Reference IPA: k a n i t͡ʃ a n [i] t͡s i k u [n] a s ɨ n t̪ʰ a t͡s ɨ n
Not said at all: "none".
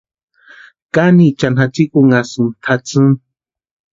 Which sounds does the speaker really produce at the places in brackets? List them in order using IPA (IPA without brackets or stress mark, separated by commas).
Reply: a, ŋ